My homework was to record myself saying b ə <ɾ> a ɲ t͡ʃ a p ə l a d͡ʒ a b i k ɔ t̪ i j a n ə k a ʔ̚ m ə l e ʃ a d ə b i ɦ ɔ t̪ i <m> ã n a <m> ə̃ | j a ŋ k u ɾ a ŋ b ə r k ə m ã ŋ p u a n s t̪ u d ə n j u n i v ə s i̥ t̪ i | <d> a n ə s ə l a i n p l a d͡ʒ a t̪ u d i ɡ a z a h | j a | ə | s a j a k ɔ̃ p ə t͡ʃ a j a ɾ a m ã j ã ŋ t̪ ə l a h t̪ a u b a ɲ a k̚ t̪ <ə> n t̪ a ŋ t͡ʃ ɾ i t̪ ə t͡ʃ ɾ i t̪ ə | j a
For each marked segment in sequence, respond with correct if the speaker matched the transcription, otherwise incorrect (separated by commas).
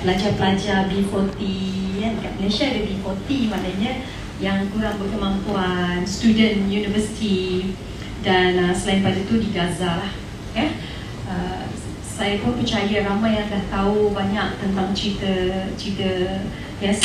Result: incorrect, correct, incorrect, correct, correct